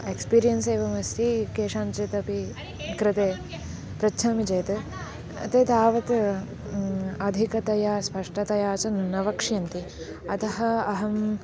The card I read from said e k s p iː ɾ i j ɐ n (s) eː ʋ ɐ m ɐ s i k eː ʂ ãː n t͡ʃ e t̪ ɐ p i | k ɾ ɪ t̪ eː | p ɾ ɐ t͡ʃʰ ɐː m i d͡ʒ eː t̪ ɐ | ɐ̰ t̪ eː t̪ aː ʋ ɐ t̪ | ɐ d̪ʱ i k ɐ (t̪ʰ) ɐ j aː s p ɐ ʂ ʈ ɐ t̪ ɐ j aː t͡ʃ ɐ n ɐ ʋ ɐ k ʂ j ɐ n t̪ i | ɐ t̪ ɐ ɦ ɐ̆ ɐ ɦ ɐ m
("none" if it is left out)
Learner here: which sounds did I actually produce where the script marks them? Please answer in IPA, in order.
s, t̪

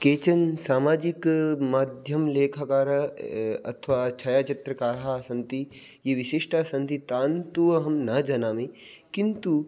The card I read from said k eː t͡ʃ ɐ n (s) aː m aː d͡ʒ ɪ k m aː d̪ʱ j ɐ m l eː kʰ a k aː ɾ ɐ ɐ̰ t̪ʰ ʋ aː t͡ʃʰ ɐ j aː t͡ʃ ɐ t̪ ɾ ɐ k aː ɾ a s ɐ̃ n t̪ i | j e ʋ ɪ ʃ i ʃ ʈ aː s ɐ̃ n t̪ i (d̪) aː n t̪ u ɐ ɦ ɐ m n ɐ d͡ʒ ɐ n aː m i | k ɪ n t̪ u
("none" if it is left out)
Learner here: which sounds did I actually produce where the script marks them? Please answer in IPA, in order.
s, t̪

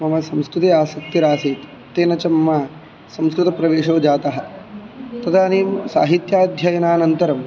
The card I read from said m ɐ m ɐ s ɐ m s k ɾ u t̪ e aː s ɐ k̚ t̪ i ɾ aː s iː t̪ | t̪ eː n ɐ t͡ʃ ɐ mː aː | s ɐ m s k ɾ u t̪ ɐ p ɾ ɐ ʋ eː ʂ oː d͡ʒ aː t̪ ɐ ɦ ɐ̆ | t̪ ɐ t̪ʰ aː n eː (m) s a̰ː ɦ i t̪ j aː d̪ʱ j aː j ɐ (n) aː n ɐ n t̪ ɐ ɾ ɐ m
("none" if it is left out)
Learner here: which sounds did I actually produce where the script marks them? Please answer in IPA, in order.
m, n

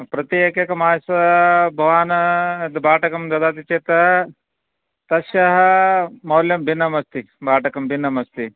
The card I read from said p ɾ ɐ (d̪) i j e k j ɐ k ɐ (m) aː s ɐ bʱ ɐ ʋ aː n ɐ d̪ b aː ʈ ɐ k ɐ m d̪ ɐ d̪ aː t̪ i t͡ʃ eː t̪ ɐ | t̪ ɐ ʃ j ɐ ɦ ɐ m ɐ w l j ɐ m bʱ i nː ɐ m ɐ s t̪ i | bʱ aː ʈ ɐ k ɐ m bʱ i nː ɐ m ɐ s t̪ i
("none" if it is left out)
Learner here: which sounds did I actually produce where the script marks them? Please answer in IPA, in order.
t̪, m

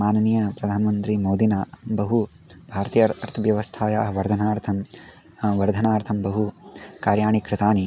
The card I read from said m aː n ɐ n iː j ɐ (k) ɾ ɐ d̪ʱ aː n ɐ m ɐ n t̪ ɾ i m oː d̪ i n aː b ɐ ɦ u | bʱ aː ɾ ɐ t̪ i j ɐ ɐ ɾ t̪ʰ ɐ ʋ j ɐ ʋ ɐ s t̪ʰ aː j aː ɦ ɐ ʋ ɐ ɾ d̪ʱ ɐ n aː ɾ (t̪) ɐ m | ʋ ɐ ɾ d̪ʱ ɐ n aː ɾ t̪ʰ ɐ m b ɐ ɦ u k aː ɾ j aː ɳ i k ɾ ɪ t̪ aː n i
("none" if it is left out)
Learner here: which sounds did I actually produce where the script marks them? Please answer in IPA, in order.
p, t̪ʰ

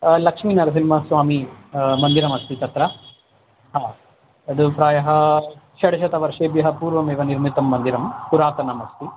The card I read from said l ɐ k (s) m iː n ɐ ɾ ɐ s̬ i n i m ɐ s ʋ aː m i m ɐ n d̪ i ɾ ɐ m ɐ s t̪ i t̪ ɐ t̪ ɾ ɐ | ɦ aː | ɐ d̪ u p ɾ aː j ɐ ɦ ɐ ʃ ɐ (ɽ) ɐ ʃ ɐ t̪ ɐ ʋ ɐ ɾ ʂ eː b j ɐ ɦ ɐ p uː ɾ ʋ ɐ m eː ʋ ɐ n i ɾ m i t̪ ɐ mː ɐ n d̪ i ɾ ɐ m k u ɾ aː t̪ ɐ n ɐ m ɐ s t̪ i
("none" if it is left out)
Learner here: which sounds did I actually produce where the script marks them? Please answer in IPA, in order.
ʂ, ɽ

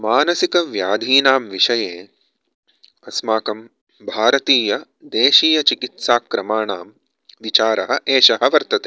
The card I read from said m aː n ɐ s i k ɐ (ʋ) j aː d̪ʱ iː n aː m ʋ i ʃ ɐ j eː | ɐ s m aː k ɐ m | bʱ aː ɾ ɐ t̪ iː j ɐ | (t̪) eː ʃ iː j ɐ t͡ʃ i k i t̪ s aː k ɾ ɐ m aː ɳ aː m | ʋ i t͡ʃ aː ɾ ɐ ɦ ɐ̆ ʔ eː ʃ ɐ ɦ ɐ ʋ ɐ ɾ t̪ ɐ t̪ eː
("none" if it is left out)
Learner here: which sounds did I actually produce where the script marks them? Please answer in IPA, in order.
ʋ, d̪

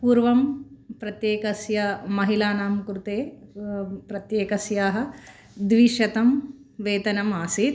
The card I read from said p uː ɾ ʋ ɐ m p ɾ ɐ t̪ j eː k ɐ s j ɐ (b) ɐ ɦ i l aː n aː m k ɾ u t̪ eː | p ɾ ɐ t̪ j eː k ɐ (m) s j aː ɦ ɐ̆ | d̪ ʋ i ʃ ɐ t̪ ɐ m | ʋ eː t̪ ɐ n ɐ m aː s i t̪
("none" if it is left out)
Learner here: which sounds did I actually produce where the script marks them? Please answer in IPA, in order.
m, none

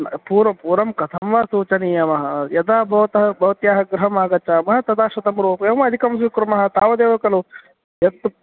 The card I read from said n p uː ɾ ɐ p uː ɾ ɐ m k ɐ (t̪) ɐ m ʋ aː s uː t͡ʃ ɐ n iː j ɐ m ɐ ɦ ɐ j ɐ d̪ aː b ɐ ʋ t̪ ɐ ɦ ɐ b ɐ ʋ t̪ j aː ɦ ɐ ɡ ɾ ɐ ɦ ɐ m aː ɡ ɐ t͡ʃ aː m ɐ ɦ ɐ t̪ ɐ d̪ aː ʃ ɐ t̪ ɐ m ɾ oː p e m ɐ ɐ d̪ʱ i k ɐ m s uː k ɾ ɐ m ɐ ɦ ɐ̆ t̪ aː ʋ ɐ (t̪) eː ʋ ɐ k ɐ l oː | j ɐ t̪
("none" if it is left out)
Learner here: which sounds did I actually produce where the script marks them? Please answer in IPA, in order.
t̪ʰ, d̪

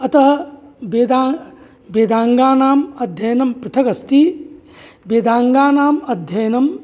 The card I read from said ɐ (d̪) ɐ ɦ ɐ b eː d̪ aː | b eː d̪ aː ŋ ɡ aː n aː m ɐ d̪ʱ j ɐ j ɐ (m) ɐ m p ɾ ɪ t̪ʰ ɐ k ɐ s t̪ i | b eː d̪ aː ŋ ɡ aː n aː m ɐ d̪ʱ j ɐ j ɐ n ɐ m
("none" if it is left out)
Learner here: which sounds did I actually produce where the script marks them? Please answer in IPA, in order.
t̪, n

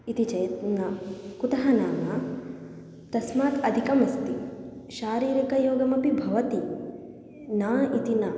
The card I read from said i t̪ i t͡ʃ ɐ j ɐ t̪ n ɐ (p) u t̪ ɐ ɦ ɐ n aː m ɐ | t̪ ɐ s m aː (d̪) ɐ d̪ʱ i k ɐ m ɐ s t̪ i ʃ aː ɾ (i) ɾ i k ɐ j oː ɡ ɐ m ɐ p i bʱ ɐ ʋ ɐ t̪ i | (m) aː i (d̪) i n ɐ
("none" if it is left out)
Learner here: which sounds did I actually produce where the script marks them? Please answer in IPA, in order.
k, t̪, iː, n, t̪

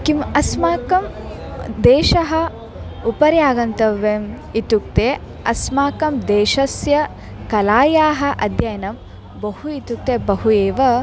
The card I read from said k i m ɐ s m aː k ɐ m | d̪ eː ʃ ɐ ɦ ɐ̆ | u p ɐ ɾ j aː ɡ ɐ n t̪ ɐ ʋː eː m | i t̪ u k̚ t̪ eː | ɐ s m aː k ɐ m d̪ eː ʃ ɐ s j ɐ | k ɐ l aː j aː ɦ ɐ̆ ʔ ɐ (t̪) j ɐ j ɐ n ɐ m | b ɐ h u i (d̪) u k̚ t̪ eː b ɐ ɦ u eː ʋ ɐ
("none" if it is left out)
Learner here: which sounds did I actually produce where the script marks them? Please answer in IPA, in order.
d̪, t̪

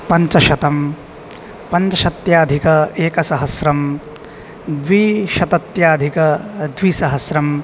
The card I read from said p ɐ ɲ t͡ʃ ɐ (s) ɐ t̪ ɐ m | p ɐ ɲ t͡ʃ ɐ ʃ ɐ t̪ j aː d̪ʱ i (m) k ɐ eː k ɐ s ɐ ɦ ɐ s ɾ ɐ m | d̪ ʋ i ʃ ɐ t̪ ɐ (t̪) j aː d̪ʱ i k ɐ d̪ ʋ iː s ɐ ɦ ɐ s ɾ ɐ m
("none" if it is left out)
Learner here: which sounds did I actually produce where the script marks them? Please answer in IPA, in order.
ʃ, none, t̪

